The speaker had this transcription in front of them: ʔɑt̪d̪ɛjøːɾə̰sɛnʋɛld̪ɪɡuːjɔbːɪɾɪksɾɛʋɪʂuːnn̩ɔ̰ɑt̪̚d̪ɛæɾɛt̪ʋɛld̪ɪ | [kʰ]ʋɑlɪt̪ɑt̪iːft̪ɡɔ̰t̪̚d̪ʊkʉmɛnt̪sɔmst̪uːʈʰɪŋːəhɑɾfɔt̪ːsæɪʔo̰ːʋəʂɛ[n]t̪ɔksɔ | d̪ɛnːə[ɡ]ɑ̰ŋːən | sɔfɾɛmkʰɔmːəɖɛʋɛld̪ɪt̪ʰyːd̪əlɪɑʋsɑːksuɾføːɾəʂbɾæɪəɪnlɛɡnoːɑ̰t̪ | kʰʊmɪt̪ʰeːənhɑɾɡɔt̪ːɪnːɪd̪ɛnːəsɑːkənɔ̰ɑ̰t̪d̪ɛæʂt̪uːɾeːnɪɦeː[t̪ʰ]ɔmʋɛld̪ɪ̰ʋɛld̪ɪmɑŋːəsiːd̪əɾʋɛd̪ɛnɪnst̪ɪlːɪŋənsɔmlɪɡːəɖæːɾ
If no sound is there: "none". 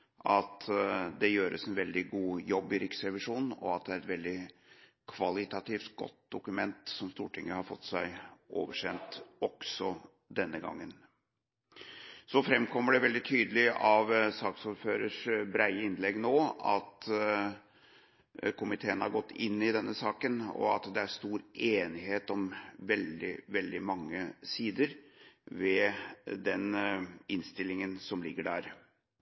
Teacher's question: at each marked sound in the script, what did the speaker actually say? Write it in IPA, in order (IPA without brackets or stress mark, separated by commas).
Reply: kʰ, n, ɡ, t̪